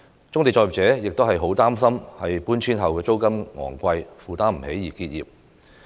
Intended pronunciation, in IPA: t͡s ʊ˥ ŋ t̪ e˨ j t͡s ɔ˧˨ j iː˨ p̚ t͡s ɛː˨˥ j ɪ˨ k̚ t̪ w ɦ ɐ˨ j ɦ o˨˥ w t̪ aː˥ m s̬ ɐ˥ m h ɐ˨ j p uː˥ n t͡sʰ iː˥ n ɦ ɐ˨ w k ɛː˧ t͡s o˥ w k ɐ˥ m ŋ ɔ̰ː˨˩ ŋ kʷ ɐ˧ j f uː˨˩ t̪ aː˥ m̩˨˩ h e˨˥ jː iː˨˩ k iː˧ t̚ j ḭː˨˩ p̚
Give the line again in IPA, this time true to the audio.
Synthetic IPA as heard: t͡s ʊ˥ ŋ t̪ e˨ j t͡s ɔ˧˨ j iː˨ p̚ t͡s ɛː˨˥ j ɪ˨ k̚ t̪ w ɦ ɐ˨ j ɦ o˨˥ w t̪ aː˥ m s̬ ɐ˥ m h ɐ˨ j p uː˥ n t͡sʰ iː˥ n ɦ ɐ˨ w k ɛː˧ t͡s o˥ w k ɐ˥ m ŋ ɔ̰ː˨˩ ŋ kʷ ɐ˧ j f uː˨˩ t̪ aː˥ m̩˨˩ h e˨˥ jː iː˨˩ k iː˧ t̚ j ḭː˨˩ p̚